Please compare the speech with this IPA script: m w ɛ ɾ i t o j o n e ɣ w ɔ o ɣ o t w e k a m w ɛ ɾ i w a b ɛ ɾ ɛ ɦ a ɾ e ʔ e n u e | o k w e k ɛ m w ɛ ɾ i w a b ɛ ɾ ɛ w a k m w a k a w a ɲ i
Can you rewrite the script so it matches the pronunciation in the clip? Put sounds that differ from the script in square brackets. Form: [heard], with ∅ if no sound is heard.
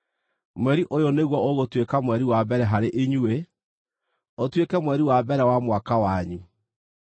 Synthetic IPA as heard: m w ɛ ɾ i [ʔ] o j o n e ɣ w ɔ o ɣ o t w e k a m w ɛ ɾ i w a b ɛ ɾ ɛ ɦ a ɾ e ʔ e [ɲ] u e | o [t] w e k ɛ m w ɛ ɾ i w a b ɛ ɾ ɛ w a [∅] m w a k a w a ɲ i